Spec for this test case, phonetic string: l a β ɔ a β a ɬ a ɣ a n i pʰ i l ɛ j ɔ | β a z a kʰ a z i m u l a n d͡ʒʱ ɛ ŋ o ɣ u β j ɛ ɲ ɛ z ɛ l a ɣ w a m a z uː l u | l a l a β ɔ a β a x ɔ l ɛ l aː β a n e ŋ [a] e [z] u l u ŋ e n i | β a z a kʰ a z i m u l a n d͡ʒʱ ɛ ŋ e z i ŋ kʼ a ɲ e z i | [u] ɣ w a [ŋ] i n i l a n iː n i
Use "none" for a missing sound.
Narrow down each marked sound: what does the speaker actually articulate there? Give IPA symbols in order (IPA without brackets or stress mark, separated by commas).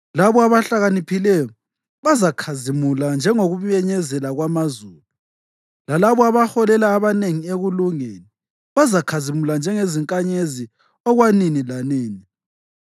i, ɣ, ɔ, n